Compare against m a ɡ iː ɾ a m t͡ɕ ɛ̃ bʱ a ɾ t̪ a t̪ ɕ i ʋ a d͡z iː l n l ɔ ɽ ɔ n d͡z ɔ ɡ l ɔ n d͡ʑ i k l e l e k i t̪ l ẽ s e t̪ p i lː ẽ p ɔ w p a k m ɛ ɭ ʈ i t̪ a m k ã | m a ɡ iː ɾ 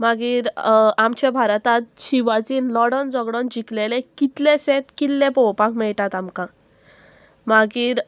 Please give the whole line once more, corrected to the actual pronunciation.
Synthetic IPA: m a ɡ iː ɾ a m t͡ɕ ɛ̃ bʱ a ɾ t̪ a t̪ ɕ i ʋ a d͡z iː n l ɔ ɽ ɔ n d͡z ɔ ɡ ɽ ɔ n d͡ʑ i k l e l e k i t̪ l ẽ s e t̪ k i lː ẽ p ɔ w p a k m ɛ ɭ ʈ a t̪ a m k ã | m a ɡ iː ɾ